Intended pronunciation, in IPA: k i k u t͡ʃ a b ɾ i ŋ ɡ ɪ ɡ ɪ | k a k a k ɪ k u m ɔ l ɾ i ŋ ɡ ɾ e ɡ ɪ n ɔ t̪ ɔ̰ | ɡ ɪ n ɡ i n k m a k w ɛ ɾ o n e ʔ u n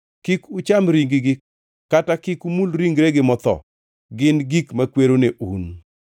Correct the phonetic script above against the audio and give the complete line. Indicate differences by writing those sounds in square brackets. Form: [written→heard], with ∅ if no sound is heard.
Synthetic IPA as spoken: k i k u t͡ʃ a [b→m] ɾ i ŋ ɡ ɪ ɡ ɪ | k a [k→t] a k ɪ k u m [ɔ→u] l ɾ i ŋ ɡ ɾ e ɡ ɪ [n→m] ɔ t̪ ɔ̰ | ɡ ɪ n ɡ i [n→∅] k m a k w [ɛ→e] ɾ o n e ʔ u n

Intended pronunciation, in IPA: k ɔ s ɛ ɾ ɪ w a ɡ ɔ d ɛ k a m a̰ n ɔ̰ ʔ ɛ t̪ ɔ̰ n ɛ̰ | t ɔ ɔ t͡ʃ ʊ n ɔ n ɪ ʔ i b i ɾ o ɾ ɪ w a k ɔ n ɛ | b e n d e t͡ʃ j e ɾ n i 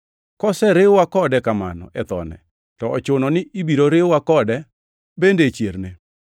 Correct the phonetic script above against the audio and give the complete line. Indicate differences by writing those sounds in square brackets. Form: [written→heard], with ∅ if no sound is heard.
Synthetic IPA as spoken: k ɔ s ɛ ɾ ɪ w a [ɡ→k] ɔ d ɛ k a m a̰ n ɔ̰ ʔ ɛ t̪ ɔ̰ n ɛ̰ | t ɔ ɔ t͡ʃ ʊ n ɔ n ɪ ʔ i b i ɾ o ɾ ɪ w a k ɔ [n→d] ɛ | b e n d e t͡ʃ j e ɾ n [i→e]

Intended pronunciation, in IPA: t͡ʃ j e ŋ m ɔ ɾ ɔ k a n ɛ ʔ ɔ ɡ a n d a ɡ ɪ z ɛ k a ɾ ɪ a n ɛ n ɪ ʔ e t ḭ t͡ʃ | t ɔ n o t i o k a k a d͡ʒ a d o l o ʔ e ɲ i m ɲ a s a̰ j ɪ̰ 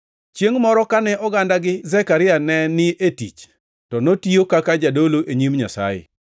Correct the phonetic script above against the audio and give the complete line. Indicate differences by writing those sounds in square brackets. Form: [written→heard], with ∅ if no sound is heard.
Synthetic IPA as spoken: t͡ʃ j e ŋ m ɔ ɾ ɔ k a n ɛ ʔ ɔ ɡ a n d a ɡ ɪ z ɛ k a ɾ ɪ a n ɛ n ɪ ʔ e t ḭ t͡ʃ | t ɔ n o t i o k a k a d͡ʒ a d o l o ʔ e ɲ i m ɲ a s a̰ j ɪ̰

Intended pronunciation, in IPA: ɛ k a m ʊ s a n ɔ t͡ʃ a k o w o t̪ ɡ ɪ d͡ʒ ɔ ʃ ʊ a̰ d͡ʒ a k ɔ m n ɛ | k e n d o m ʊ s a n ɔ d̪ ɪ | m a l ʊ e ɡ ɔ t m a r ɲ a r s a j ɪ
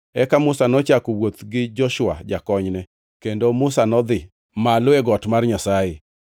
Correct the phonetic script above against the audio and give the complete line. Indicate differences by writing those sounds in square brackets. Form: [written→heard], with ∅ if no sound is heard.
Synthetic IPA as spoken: ɛ k a m ʊ s a n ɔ t͡ʃ a k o w o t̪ ɡ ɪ d͡ʒ ɔ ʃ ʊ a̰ d͡ʒ a k ɔ [m→ɲ] n ɛ | k e n d o m ʊ s a n ɔ d̪ ɪ | m a l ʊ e ɡ ɔ t m a r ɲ a [r→∅] s a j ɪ

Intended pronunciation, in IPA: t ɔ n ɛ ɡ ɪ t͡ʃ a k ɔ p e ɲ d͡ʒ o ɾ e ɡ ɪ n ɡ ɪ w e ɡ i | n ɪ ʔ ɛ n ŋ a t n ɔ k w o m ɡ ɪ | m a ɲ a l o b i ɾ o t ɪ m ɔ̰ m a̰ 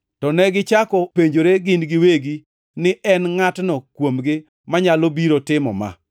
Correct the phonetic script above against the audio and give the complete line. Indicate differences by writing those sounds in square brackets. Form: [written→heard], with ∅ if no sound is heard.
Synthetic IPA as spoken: t ɔ n ɛ ɡ ɪ t͡ʃ a k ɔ p e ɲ d͡ʒ o ɾ e ɡ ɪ n ɡ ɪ w e ɡ i | n ɪ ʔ ɛ n ŋ a t n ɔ k w o m ɡ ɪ | m a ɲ a l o b i ɾ o t ɪ m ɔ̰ m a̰

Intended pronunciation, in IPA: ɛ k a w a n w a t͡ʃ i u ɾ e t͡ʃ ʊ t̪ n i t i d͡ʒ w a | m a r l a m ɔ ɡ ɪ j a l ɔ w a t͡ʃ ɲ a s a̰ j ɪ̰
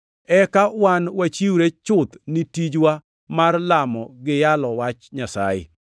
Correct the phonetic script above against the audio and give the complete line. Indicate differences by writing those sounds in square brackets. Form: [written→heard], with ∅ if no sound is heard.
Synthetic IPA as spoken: ɛ k a w a n w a t͡ʃ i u ɾ e t͡ʃ ʊ t̪ n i t i d͡ʒ w a | m a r l a m ɔ ɡ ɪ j a l ɔ w a t͡ʃ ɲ a s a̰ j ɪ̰

